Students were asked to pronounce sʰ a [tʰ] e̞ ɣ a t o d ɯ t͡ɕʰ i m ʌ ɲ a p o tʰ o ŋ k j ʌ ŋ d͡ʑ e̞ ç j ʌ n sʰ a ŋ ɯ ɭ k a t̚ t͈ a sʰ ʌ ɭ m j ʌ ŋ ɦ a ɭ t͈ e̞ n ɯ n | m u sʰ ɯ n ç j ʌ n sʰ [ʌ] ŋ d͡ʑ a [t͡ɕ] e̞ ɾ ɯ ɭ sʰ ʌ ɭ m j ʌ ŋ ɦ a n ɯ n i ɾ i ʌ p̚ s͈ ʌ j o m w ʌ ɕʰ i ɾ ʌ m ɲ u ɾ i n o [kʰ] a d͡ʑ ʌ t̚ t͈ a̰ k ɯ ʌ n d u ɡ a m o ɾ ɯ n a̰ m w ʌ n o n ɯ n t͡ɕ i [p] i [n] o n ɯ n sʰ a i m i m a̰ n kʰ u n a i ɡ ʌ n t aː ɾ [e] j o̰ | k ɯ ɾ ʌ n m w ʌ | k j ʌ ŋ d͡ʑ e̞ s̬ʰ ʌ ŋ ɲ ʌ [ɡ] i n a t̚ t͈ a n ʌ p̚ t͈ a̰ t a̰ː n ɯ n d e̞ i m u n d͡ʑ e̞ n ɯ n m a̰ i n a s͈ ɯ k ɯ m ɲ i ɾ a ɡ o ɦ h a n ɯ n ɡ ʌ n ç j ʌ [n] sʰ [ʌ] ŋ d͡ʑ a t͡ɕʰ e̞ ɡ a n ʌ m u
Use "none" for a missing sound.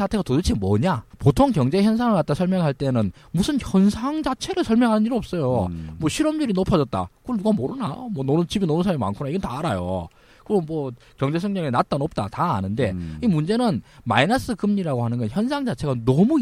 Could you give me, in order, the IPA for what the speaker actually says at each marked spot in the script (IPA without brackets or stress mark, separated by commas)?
tʰ, a, t͡ɕʰ, pʰ, b, n, a, ŋ, n, a